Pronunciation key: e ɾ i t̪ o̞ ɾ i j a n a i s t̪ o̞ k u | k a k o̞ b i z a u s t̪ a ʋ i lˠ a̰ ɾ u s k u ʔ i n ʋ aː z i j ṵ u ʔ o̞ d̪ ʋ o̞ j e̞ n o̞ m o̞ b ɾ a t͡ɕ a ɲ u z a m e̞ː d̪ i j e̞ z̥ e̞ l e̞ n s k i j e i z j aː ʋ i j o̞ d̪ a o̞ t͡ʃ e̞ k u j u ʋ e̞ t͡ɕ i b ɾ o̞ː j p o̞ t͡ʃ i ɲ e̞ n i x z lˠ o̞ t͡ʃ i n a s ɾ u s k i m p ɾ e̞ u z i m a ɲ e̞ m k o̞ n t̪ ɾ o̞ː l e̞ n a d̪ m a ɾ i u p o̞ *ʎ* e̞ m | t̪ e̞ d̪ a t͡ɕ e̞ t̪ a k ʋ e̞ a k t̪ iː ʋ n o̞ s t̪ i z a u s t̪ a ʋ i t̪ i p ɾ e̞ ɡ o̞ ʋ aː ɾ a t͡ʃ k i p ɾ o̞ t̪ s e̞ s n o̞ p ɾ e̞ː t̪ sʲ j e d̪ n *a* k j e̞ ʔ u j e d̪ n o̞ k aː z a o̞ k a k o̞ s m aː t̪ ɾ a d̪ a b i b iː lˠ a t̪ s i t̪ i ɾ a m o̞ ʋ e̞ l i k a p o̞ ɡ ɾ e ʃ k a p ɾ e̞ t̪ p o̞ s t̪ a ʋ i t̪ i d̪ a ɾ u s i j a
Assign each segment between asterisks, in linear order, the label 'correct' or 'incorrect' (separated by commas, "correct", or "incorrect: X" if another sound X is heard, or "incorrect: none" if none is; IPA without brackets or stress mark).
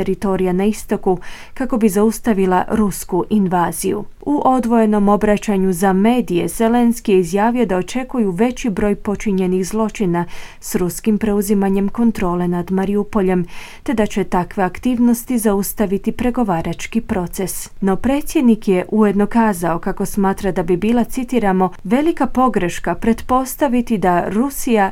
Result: correct, incorrect: i